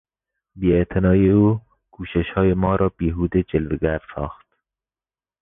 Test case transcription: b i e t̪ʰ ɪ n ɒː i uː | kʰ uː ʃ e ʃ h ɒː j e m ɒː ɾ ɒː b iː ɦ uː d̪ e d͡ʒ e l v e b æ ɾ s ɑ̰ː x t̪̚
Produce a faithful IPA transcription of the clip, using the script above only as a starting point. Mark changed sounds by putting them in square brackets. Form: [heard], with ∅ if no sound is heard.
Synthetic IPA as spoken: b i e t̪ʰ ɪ n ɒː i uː | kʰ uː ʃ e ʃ h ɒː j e m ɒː ɾ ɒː b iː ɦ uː d̪ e d͡ʒ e l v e [ɡ] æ ɾ s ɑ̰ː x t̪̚